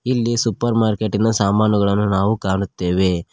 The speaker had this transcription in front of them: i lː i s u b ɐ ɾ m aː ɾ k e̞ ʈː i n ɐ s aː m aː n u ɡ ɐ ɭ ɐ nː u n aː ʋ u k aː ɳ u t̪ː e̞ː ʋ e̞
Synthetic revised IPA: i lː i s u p ɐ ɾ m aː ɾ k e̞ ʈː i n ɐ s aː m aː n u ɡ ɐ ɭ ɐ nː u n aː ʋ u k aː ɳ u t̪ː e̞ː ʋ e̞

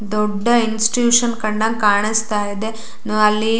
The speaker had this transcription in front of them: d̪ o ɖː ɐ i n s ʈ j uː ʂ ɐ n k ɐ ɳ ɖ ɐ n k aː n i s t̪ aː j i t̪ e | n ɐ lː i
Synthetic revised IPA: d̪ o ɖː ɐ i n s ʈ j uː ʂ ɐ n k ɐ ɳ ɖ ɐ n k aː ɳ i s t̪ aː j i d̪ e | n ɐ lː i

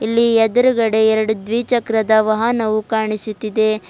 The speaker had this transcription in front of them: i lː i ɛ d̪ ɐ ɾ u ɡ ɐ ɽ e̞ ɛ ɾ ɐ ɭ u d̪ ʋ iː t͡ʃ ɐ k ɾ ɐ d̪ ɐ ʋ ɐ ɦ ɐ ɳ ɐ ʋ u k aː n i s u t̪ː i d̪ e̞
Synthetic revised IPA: i lː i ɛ d̪ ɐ ɾ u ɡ ɐ ɽ e̞ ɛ ɾ ɐ ɽ u d̪ ʋ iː t͡ʃ ɐ k ɾ ɐ d̪ ɐ ʋ ɐ ɦ ɐ n ɐ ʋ u k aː ɳ i s u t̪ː i d̪ e̞

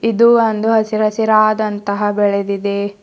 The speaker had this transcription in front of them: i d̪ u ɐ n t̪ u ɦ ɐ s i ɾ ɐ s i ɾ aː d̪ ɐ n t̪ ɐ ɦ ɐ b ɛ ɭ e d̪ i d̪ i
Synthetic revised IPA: i d̪ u ɐ n d̪ u ɦ ɐ s i ɾ ɐ s i ɾ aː d̪ ɐ n t̪ ɐ ɦ ɐ b ɛ ɭ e d̪ i d̪ e

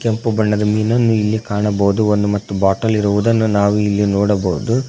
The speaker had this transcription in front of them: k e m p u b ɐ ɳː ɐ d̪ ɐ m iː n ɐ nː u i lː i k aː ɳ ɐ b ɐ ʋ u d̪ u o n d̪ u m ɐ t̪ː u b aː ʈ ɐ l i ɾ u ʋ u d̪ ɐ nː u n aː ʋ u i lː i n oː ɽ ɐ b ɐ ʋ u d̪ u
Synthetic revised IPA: k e m p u b ɐ ɳː ɐ d̪ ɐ m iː n ɐ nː u i lː i k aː ɳ ɐ b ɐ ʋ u d̪ u o n d̪ u m ɐ t̪ː u b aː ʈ ɐ l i ɾ u ʋ u d̪ ɐ nː u n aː ʋ u i lː i n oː ɽ ɐ b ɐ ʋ u d̪ u

